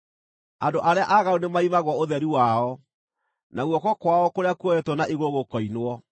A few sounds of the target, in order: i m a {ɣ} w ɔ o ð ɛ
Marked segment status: correct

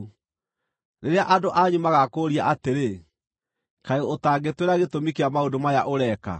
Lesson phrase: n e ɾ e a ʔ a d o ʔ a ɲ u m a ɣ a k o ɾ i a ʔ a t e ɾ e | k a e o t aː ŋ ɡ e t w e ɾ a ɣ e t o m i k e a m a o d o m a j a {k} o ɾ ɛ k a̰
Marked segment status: incorrect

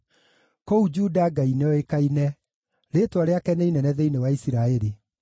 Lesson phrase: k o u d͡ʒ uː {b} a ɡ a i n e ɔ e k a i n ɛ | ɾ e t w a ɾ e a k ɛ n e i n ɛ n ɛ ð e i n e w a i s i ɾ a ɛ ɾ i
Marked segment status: incorrect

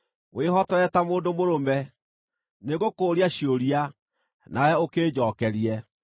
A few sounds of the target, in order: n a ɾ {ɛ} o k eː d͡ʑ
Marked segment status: correct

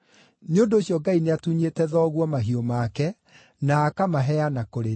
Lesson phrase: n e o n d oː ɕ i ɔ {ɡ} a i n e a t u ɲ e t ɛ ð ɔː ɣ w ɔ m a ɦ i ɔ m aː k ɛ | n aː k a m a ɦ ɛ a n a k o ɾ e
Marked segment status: correct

